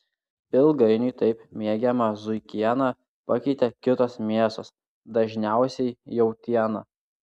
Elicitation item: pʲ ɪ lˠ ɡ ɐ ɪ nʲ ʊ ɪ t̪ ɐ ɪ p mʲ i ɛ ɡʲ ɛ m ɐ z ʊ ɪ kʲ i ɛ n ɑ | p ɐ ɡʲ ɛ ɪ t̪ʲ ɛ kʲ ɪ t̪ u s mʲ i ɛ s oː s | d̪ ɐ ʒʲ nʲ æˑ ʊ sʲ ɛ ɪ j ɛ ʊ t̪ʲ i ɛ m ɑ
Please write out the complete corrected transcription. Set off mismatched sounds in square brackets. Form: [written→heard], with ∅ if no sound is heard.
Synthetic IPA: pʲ ɪ lˠ ɡ ɐ ɪ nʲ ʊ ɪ t̪ ɐ ɪ p mʲ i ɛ ɡʲ ɛ m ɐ z ʊ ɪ kʲ i ɛ n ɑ | p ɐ [ɡʲ→kʲ] ɛ ɪ t̪ʲ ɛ kʲ ɪ t̪ [u→o] s mʲ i ɛ s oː s | d̪ ɐ ʒʲ nʲ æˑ ʊ sʲ ɛ ɪ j ɛ ʊ t̪ʲ i ɛ [m→n] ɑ